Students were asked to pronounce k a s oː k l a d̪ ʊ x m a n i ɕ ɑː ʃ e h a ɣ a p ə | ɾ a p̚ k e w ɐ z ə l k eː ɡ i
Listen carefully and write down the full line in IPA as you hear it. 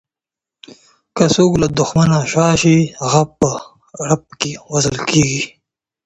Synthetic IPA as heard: k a s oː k l a d̪ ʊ x m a n a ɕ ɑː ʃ i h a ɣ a p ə | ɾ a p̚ k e w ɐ z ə l k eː ɡ i